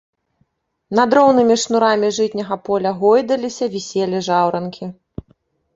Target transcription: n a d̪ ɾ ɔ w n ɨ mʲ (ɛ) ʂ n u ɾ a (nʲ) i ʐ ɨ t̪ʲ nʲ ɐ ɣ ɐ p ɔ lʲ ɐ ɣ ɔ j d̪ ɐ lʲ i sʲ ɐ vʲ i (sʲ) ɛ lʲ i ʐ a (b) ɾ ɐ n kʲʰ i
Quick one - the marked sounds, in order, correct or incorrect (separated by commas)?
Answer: incorrect, incorrect, correct, incorrect